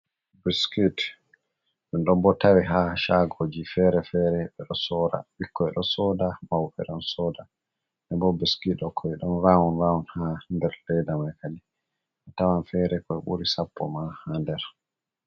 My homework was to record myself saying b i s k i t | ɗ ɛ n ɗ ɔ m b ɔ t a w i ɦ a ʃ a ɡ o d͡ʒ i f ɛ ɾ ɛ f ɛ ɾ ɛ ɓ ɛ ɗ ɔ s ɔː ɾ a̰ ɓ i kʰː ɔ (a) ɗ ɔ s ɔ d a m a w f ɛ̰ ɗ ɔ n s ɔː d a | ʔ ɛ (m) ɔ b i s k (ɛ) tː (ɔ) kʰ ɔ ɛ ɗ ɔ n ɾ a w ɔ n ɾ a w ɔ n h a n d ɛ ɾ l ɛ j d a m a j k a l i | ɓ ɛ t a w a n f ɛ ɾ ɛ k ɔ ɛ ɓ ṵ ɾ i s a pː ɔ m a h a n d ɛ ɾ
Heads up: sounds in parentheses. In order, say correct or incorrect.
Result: incorrect: ɛ, incorrect: b, incorrect: i, correct

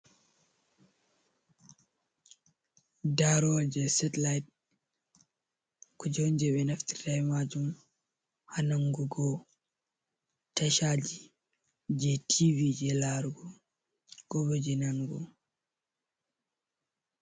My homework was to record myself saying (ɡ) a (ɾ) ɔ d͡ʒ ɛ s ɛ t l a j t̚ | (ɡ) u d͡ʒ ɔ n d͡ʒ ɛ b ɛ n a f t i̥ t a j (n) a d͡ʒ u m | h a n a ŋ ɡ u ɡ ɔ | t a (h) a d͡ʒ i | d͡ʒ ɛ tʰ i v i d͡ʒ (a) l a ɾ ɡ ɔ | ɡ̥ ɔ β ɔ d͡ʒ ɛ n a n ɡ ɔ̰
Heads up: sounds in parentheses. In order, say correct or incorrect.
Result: incorrect: d, correct, incorrect: k, incorrect: m, incorrect: ʃ, incorrect: ɛ

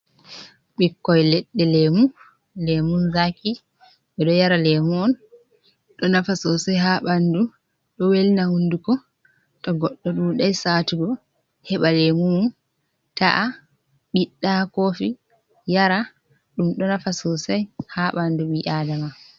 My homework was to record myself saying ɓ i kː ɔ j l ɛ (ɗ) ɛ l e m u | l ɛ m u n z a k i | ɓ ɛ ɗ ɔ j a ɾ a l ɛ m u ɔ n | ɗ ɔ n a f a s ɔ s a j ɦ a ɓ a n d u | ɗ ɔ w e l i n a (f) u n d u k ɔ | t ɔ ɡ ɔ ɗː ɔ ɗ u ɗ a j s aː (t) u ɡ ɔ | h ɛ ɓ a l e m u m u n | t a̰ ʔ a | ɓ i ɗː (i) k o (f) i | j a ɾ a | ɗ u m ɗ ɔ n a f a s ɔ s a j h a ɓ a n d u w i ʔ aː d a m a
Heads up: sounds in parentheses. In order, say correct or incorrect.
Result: incorrect: ɗː, incorrect: h, correct, incorrect: a, correct

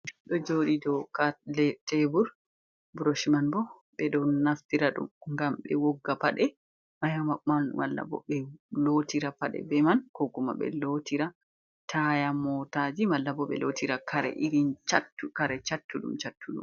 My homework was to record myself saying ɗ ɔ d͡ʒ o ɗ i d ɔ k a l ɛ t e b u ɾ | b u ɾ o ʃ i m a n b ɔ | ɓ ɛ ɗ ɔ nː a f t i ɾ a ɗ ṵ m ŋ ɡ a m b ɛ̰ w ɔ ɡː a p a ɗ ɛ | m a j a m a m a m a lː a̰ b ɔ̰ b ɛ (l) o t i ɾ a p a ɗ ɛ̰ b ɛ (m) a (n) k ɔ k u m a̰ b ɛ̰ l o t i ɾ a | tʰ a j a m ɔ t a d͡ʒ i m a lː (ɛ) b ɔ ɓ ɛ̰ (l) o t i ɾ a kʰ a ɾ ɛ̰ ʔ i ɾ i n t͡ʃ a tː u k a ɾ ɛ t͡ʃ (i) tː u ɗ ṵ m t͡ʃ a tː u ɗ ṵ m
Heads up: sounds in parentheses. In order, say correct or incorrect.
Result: correct, correct, correct, incorrect: a, correct, incorrect: a

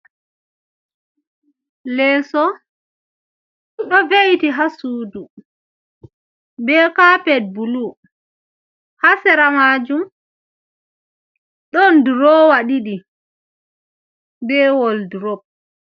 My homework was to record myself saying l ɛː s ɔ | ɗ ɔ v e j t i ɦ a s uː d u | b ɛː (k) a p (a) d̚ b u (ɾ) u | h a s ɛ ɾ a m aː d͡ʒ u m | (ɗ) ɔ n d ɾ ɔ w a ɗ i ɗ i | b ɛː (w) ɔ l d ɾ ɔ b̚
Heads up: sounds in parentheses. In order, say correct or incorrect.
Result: correct, incorrect: ɛ, incorrect: l, correct, correct

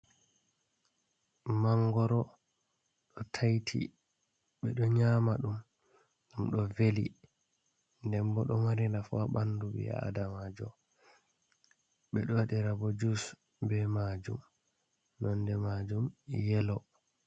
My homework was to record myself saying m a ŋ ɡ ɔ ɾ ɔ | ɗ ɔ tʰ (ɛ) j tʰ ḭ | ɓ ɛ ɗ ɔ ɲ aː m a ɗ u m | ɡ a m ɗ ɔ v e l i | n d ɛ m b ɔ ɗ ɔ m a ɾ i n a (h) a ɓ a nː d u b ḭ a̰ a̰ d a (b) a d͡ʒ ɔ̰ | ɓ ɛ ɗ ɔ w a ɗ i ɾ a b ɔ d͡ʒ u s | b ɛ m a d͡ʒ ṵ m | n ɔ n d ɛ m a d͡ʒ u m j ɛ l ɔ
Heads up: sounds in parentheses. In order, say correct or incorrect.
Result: incorrect: a, incorrect: f, incorrect: m

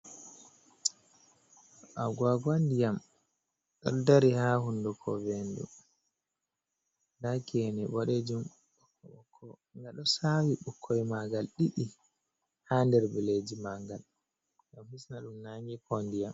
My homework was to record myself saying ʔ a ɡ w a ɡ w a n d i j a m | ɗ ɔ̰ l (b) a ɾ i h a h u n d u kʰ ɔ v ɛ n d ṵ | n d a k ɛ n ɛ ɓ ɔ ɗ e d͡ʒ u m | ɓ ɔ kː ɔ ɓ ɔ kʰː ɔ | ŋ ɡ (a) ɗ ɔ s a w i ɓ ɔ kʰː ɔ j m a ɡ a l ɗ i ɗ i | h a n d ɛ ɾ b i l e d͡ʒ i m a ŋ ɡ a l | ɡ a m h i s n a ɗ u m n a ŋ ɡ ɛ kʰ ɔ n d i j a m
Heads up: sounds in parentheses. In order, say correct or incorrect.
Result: incorrect: d, correct

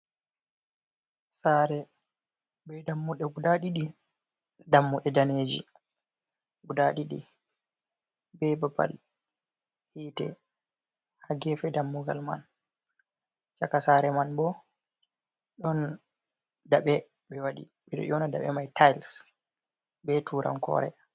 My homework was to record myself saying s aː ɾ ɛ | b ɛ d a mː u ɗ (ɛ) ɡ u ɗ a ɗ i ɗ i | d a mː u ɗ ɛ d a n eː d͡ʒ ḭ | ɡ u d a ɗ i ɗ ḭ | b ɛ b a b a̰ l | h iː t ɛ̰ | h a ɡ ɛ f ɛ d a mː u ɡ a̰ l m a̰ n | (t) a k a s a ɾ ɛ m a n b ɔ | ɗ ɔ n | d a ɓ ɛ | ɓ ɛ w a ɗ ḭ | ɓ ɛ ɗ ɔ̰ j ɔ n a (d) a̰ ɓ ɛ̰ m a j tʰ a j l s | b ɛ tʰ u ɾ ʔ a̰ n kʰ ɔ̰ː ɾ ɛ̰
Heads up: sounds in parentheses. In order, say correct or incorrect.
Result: correct, incorrect: t͡ʃ, correct

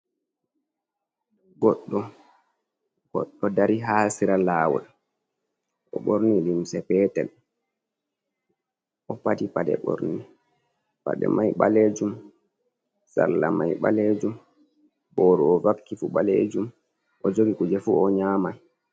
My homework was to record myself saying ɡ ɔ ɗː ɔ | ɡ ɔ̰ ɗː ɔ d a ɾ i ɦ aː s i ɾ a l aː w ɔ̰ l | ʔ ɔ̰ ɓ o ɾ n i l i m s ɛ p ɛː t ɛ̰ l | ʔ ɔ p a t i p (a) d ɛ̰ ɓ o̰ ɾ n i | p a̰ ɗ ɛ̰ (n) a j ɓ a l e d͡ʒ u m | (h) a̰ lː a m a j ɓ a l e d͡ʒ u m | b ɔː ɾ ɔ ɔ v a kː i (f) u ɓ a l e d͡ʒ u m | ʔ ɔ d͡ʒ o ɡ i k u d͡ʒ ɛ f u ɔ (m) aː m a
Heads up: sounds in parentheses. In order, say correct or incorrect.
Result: correct, incorrect: m, incorrect: s, correct, incorrect: ɲ

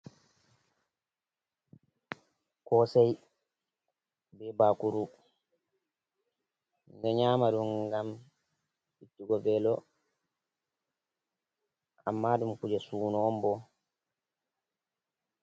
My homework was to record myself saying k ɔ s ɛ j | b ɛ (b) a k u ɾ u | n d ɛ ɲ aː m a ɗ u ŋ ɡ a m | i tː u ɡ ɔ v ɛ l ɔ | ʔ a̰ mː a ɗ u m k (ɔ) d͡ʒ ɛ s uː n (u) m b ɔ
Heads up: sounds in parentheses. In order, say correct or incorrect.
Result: correct, incorrect: u, incorrect: ɔ

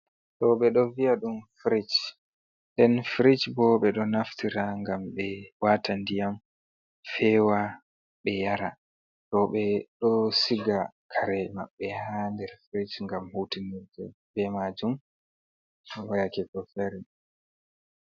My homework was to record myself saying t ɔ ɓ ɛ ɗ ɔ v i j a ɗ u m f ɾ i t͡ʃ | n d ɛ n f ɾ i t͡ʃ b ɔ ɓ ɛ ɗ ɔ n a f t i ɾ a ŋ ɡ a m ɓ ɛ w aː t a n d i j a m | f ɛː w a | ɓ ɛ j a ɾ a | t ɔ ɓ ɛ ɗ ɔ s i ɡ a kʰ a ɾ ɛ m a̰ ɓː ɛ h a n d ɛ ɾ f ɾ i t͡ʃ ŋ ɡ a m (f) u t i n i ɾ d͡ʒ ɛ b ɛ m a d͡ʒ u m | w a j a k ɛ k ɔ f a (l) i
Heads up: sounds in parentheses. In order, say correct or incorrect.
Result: incorrect: h, incorrect: ɾ

